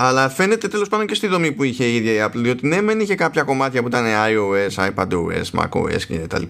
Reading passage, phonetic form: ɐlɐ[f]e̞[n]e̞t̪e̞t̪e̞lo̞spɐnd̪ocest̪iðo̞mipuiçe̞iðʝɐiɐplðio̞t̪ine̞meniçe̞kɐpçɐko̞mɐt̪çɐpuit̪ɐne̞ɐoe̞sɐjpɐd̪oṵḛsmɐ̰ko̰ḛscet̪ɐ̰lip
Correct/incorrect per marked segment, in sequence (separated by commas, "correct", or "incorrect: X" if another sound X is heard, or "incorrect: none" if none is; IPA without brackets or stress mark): correct, correct